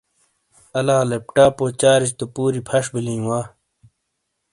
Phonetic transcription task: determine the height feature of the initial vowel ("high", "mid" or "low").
low